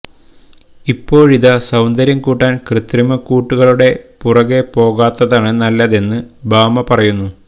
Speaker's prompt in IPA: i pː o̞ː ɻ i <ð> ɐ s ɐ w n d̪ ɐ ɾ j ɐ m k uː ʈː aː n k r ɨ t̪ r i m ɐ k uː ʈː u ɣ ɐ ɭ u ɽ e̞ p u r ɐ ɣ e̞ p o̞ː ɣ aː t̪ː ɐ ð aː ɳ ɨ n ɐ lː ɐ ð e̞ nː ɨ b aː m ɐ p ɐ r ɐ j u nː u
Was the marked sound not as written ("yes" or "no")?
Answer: no